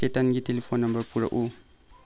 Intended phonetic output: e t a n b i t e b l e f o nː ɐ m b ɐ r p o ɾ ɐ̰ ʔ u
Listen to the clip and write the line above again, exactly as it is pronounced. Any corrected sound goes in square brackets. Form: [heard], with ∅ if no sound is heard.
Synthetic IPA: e t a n [ɡ] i t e [∅] l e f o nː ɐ m b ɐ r p [u] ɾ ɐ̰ ʔ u

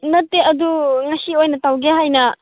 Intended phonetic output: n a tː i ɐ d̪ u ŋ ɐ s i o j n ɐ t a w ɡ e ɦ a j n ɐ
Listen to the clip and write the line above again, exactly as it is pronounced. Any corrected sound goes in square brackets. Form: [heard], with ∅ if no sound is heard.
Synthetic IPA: n [ɐ] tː [e] ɐ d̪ u ŋ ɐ s i o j n ɐ t a w ɡ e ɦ a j n ɐ

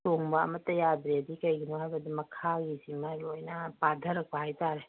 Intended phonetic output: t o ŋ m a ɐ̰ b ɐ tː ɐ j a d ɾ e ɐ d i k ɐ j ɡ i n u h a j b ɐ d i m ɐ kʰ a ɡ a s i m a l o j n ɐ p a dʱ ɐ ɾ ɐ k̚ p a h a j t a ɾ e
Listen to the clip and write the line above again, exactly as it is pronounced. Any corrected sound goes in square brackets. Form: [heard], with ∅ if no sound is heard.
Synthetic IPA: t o ŋ [b] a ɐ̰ [m] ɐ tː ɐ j a d ɾ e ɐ d i k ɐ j ɡ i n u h a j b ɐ d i m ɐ kʰ a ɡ [i] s i m a l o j n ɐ p a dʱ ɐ ɾ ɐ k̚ p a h a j t a ɾ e

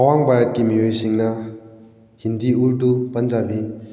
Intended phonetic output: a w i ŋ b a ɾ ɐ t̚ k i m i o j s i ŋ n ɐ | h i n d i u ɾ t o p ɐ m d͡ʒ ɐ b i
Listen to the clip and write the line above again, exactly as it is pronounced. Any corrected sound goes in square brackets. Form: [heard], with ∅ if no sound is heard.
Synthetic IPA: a w [a] ŋ b a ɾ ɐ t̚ k i m i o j s i ŋ n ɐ | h i n d i u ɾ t [u] p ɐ [n] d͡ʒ [a] b i

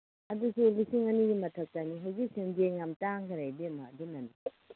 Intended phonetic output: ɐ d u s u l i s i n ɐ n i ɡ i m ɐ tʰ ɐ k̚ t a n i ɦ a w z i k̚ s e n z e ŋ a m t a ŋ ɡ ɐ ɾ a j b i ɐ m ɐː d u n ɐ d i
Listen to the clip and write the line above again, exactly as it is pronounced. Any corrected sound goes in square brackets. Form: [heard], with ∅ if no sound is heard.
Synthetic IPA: ɐ d u s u l i s i [ŋ] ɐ n i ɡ i m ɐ tʰ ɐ k̚ t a n i ɦ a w z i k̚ s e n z e ŋ a m t a ŋ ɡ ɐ ɾ a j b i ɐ m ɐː d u n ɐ [n] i

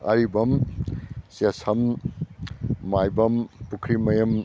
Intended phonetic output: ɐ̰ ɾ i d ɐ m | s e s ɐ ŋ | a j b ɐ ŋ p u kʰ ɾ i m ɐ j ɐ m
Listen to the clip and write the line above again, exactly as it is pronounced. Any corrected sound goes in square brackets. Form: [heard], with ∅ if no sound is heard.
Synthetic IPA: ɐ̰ ɾ i [b] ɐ m | s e s ɐ [m] | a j b ɐ [m] p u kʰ ɾ i m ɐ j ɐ m

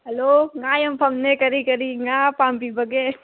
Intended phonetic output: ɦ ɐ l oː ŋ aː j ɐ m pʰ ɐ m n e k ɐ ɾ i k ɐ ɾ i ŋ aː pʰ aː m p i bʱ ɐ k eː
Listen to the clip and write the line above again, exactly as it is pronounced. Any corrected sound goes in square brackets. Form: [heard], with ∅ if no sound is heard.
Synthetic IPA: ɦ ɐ l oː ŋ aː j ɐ m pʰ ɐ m n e k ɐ ɾ i k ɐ ɾ i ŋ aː [p] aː m p i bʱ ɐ [ɡ] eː

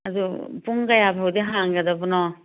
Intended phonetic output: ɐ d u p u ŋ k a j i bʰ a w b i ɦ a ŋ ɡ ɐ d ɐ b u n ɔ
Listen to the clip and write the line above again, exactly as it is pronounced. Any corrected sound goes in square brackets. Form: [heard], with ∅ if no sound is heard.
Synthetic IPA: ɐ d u p u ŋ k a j [a] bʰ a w [d] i ɦ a ŋ ɡ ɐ d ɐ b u n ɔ

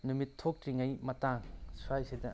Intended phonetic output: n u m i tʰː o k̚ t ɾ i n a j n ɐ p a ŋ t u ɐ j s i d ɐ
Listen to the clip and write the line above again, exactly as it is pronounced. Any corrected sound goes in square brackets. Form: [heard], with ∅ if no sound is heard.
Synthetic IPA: n u m i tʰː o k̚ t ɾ i [ŋ] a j [m] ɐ [t] a ŋ [s] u [a] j s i d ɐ

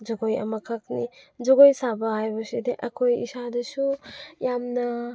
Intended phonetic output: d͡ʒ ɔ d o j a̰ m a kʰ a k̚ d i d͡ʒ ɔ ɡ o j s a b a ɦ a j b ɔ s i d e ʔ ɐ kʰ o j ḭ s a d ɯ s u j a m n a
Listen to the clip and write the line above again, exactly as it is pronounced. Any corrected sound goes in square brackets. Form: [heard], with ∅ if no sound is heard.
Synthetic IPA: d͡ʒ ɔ [ɡ] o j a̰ m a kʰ a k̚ [n] i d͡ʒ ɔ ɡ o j s a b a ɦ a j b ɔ s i d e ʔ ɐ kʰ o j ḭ s a d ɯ s u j a m n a

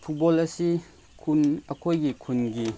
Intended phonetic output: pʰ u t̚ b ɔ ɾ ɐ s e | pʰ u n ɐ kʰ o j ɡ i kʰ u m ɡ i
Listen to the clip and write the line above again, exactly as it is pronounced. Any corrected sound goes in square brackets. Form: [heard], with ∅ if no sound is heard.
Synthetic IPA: pʰ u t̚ b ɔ [l] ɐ s [i] | [kʰ] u n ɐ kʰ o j ɡ i kʰ u [n] ɡ i

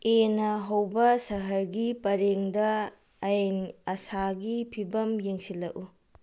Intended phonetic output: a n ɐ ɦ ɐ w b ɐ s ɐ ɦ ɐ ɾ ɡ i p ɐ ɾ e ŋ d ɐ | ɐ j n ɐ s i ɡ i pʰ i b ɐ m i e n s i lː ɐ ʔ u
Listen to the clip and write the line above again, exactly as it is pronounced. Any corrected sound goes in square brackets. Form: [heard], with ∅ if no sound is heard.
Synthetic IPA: [e] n ɐ ɦ ɐ w b ɐ s ɐ ɦ ɐ ɾ ɡ i p ɐ ɾ e ŋ d ɐ | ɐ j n ɐ s [a] ɡ i pʰ i b ɐ m [j] e [ŋ] s i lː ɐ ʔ u

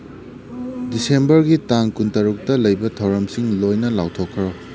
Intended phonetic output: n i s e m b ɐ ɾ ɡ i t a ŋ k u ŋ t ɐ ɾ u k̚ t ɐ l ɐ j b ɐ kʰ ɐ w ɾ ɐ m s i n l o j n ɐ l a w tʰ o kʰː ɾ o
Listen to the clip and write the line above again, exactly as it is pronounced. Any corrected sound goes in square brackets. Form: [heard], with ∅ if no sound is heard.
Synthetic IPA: [d] i s e m b ɐ ɾ ɡ i t a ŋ k u [n] t ɐ ɾ u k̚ t ɐ l ɐ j b ɐ [tʰ] ɐ w ɾ ɐ m s i [ŋ] l o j n ɐ l a w tʰ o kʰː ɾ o

